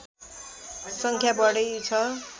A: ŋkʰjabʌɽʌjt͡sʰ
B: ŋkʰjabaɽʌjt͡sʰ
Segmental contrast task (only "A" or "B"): A